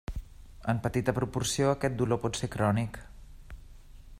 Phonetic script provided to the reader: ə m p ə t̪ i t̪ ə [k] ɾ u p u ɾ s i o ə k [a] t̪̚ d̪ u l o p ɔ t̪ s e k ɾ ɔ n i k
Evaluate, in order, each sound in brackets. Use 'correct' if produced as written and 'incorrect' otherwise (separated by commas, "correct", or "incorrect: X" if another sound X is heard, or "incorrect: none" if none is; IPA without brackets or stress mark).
incorrect: p, incorrect: ɛ